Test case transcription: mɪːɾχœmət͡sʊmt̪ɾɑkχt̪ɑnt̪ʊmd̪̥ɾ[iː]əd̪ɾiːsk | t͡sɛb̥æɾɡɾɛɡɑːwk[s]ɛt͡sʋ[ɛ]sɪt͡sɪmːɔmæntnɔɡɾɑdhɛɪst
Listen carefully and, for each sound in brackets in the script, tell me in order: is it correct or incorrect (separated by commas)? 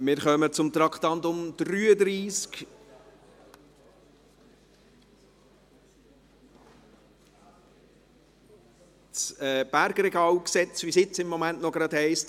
incorrect, correct, incorrect